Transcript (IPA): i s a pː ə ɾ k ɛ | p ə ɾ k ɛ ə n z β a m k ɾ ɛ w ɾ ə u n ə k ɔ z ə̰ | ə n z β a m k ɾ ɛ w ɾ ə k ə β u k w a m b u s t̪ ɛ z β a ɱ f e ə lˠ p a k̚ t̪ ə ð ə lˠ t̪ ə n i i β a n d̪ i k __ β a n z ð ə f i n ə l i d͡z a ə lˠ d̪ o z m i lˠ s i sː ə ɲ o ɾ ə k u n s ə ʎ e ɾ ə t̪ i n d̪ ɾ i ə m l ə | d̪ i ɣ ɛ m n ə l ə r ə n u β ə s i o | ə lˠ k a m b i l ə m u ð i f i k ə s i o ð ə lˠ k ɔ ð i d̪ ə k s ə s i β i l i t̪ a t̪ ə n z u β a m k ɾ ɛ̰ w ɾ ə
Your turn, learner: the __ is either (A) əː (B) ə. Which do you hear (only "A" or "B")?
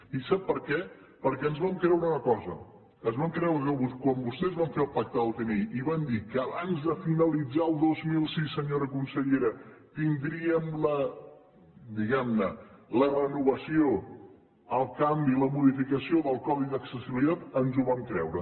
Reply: A